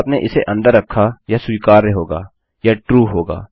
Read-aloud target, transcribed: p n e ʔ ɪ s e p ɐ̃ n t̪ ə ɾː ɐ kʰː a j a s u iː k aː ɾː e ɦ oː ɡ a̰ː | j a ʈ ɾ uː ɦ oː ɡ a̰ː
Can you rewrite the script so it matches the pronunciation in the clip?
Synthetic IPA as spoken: p n e ʔ ɪ s e ʔ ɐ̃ n d̪ ə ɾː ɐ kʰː a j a s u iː k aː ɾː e ɦ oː ɡ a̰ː | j a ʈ ɾ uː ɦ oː ɡ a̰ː